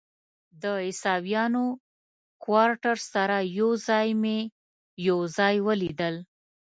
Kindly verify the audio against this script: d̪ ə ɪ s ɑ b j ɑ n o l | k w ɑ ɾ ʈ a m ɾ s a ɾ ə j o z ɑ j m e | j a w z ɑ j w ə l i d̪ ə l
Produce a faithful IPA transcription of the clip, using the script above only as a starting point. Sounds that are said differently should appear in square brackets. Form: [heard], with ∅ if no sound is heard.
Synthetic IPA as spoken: d̪ ə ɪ s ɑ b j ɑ n o [∅] | k w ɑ ɾ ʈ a [∅] ɾ s a ɾ [a] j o z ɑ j m e | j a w z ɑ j w ə l i d̪ ə l